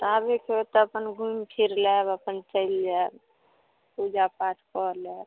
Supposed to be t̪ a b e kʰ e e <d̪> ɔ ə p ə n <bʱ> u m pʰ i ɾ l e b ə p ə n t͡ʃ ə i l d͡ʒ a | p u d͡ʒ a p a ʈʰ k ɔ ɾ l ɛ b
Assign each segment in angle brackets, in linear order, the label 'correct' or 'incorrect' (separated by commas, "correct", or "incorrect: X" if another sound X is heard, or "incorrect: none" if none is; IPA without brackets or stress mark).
incorrect: t̪, incorrect: ɡʱ